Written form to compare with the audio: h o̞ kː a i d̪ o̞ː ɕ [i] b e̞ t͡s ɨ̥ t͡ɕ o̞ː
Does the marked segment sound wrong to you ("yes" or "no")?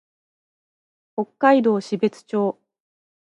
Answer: no